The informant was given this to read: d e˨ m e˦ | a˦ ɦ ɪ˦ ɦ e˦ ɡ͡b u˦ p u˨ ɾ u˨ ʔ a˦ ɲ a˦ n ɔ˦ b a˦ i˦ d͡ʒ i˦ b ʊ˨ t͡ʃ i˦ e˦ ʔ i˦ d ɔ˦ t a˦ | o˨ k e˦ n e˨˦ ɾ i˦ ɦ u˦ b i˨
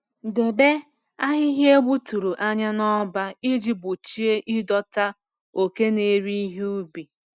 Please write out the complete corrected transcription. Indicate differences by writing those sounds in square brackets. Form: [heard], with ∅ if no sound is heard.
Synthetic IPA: d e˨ [b] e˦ | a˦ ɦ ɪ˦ ɦ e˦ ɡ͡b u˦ [t] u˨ ɾ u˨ ʔ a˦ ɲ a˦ n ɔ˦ b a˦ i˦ d͡ʒ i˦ b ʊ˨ t͡ʃ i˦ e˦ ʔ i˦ d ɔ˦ t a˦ | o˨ k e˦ n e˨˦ ɾ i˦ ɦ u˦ b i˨